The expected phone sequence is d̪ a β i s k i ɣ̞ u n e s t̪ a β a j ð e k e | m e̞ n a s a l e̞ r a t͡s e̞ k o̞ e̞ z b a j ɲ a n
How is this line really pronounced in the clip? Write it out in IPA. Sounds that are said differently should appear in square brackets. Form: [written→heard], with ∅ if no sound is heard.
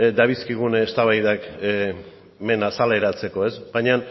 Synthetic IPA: d̪ a β i s k i ɣ̞ u n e s t̪ a β a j ð [e→a] k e | m e̞ n a s a l e̞ [r→ɾ] a t͡s e̞ k o̞ e̞ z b a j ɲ a n